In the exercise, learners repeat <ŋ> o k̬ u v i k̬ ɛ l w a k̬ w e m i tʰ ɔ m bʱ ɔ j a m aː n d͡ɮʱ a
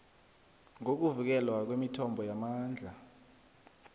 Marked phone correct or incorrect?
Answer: correct